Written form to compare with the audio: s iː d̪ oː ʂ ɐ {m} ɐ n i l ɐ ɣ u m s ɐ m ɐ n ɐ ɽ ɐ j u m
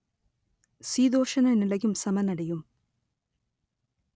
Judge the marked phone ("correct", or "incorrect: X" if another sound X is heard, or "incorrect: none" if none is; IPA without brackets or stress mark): incorrect: n